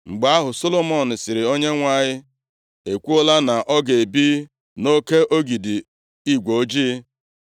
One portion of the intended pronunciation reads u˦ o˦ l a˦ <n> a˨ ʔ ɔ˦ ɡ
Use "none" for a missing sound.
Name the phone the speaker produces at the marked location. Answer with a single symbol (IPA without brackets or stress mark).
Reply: n